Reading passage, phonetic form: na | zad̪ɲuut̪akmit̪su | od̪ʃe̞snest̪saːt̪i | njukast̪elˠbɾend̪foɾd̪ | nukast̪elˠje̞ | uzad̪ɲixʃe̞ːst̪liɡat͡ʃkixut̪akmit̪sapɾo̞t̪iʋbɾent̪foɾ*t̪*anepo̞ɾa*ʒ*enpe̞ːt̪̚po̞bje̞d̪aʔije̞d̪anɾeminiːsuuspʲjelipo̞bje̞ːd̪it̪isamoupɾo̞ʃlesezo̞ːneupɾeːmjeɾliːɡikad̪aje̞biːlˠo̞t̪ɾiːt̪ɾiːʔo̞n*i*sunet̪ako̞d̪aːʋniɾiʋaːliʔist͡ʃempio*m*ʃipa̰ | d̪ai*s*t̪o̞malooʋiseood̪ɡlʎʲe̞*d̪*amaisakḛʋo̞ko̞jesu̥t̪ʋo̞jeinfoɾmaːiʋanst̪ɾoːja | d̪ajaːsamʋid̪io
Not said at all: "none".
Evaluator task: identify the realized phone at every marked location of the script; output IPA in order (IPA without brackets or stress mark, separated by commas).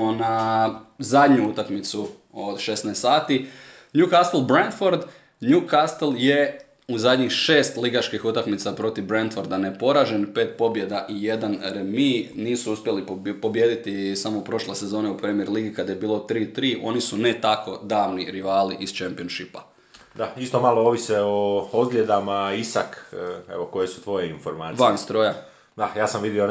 d̪, ʒ, i, n, s, d̪